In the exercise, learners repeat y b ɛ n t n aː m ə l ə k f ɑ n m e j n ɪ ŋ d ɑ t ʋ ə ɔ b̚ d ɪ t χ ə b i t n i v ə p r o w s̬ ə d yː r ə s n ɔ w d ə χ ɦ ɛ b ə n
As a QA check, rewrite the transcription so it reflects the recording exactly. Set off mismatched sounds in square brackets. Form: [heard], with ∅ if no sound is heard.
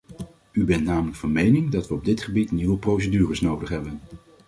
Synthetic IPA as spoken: y b ɛ n t n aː m ə l ə k f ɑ n m e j n ɪ ŋ d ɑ t ʋ ə ɔ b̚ d ɪ t χ ə b i t n i [ʋ] ə p r o w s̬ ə d yː r ə s n [o] w d ə χ ɦ ɛ b ə n